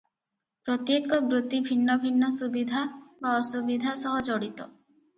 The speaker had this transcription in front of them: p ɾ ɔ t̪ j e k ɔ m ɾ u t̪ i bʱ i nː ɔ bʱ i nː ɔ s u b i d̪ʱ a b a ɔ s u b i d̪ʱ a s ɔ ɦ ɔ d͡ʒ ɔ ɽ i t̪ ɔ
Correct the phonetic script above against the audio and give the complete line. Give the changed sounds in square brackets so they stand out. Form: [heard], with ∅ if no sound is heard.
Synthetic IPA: p ɾ ɔ t̪ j e k ɔ [b] ɾ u t̪ i bʱ i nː ɔ bʱ i nː ɔ s u b i d̪ʱ a b a ɔ s u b i d̪ʱ a s ɔ ɦ ɔ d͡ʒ ɔ ɽ i t̪ ɔ